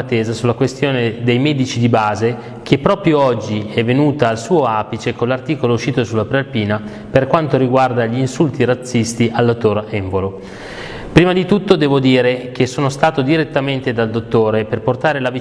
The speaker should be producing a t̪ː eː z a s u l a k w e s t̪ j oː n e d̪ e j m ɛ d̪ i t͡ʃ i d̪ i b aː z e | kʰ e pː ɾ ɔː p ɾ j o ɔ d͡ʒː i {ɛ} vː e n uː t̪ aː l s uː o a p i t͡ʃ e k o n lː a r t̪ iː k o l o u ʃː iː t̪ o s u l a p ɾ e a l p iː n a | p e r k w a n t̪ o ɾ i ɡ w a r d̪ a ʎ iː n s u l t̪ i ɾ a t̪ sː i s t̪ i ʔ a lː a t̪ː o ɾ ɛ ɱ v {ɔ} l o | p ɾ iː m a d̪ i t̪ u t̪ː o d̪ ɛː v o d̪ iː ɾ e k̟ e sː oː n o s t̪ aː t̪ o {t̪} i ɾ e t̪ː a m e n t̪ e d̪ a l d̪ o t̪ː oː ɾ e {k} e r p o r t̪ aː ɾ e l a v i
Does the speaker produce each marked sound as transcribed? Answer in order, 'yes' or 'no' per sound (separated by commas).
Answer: yes, no, no, no